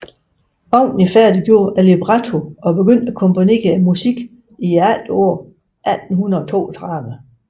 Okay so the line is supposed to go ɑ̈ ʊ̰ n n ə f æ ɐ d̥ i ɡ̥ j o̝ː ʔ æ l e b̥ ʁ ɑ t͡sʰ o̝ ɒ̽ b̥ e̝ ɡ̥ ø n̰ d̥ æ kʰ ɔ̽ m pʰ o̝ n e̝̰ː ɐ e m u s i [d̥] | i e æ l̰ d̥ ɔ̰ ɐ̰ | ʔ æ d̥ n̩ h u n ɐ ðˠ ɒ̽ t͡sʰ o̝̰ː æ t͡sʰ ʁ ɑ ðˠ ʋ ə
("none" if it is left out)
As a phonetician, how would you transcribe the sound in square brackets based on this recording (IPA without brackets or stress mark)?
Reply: ɡ̥